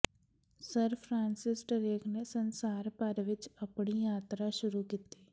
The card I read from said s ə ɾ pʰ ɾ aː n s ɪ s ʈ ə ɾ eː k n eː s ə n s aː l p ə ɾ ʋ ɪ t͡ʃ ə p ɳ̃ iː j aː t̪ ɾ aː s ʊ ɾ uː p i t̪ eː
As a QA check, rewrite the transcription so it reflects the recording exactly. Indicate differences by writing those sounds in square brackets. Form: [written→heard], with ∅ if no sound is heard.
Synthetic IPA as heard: s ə ɾ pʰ ɾ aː n s ɪ s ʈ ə ɾ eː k n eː s ə n s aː [l→ɾ] p ə ɾ ʋ ɪ t͡ʃ ə p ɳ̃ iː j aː t̪ ɾ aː [s→ʃ] ʊ ɾ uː [p→k] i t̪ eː